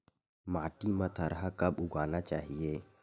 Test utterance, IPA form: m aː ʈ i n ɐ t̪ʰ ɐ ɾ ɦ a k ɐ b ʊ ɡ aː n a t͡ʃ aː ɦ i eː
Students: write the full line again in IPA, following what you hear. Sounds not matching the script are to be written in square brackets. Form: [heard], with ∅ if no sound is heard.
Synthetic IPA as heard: m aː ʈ i [m] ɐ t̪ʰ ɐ ɾ ɦ a k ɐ b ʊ ɡ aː n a t͡ʃ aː ɦ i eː